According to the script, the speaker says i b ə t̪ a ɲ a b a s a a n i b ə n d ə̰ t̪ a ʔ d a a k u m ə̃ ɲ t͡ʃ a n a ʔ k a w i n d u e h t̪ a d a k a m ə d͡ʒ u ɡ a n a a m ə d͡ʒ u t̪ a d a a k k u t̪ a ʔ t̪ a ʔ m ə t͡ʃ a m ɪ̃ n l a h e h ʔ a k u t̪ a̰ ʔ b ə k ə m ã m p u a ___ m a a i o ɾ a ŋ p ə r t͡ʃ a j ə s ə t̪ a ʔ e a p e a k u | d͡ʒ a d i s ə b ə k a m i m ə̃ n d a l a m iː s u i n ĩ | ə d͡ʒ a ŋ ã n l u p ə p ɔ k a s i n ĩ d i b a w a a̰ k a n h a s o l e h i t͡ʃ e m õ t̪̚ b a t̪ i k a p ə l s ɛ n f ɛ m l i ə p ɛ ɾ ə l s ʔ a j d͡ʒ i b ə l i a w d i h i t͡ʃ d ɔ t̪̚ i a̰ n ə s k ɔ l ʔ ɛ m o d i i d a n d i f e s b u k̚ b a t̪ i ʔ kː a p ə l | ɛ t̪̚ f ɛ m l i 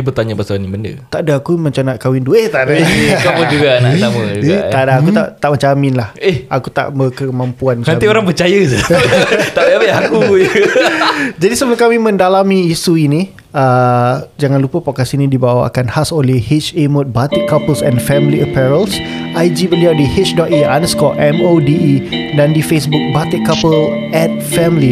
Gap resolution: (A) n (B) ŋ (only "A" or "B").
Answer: A